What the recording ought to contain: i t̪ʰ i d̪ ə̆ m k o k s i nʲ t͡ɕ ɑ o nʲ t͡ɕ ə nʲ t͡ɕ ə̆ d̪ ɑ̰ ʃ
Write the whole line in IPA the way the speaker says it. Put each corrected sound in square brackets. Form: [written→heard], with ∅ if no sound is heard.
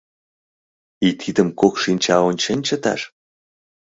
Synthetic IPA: i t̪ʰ i d̪ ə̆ m k o k [s→ʃ] i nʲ t͡ɕ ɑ o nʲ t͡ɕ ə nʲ t͡ɕ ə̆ [d̪→t̪] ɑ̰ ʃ

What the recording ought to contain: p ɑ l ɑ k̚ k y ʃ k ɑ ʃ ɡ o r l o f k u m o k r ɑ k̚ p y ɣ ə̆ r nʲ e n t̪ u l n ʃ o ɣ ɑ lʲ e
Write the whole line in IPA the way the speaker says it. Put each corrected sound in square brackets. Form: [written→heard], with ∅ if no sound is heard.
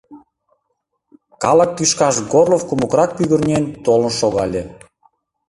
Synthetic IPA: [p→k] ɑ l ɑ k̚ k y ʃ k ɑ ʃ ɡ o r l o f k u m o k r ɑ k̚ p y ɣ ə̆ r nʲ e n t̪ [u→o] l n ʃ o ɣ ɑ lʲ e

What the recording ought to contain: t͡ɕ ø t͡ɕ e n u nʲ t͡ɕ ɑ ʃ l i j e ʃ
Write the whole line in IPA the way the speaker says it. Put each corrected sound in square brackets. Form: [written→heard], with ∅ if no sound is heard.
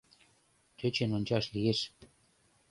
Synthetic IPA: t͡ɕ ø t͡ɕ e n [u→o] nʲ t͡ɕ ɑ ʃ l i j e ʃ

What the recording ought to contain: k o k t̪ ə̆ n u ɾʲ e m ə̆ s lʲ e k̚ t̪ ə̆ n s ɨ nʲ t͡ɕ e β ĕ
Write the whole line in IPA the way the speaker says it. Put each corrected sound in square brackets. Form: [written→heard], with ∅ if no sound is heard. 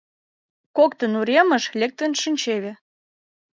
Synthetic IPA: k o k t̪ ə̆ n u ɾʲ e m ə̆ [s→ʃ] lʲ e k̚ t̪ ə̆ n [s→ʃ] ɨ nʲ t͡ɕ e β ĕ

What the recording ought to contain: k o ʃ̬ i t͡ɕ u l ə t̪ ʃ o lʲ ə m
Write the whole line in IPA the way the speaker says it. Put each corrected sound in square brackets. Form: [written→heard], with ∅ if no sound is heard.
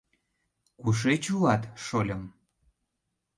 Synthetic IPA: k [o→u] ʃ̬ [i→e] t͡ɕ u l [ə→ɑ] t̪ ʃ o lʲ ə m

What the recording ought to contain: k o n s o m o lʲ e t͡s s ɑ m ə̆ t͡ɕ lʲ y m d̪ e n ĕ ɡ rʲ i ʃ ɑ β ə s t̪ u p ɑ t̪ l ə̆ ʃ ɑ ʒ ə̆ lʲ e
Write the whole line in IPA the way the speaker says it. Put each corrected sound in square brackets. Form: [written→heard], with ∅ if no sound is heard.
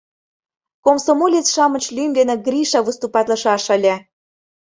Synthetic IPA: k o [n→m] s o m o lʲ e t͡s [s→ʃ] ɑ m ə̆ t͡ɕ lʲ y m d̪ e n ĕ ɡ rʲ i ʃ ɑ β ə s t̪ u p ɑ t̪ l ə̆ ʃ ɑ [ʒ→ʃ] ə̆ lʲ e

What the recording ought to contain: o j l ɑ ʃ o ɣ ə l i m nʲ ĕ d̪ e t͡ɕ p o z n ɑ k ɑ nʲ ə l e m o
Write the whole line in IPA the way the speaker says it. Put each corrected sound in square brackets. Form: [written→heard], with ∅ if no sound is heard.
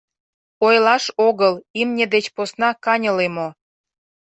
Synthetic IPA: o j l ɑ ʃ o ɣ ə l i m nʲ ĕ d̪ e t͡ɕ p o [z→s] n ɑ k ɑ nʲ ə l e m o

